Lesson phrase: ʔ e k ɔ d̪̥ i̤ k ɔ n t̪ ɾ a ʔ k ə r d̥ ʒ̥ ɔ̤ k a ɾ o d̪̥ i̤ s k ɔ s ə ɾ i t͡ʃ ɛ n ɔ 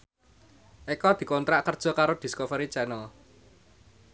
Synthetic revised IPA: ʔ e k ɔ d̪̥ i̤ k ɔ n t̪ ɾ a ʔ k ə r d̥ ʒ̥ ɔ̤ k a ɾ o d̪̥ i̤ s k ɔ f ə ɾ i t͡ʃ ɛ n ɔ